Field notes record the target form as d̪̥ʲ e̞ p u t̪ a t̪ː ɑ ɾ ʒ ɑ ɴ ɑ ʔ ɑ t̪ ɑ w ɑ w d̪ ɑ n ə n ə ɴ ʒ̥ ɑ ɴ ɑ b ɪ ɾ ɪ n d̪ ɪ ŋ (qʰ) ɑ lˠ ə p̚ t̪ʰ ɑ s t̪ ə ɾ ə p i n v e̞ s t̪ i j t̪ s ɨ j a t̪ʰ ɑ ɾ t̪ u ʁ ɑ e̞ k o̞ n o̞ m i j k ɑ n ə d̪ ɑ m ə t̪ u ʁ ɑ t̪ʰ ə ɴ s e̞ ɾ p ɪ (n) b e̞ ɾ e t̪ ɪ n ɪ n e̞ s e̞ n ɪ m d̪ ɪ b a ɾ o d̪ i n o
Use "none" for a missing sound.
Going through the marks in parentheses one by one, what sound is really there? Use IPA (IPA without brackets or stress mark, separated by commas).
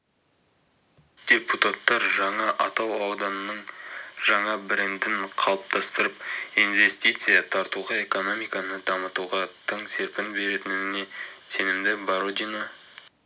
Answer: qʰ, n